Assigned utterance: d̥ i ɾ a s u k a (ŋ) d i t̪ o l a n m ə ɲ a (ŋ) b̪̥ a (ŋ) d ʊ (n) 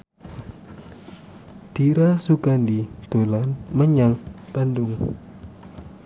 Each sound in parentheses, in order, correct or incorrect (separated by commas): incorrect, correct, incorrect, incorrect